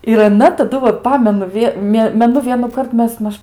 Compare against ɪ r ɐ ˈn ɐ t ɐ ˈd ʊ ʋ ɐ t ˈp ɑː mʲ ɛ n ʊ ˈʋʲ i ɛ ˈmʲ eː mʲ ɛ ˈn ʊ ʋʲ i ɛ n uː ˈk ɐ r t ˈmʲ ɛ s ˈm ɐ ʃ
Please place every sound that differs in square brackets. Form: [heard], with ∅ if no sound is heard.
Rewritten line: ɪ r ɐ ˈn ɐ t ɐ ˈd ʊ ʋ ɐ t ˈp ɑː mʲ ɛ n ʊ ˈʋʲ i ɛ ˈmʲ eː mʲ ɛ ˈn ʊ ʋʲ i ɛ n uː ˈk ɐ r t ˈmʲ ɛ s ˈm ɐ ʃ